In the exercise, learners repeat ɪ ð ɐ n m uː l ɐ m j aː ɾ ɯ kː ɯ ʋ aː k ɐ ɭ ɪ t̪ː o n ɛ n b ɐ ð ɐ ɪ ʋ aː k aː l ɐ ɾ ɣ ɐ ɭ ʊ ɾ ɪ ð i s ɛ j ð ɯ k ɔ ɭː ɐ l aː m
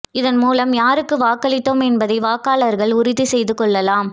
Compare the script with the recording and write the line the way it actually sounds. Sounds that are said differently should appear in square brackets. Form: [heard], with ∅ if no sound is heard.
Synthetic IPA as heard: ɪ ð ɐ n m uː l ɐ m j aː ɾ ɯ kː ɯ ʋ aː k ɐ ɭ ɪ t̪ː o [m] ɛ n b ɐ ð ɐ ɪ ʋ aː k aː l ɐ ɾ ɣ ɐ ɭ ʊ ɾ ɪ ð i s ɛ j ð ɯ k ɔ ɭː ɐ l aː m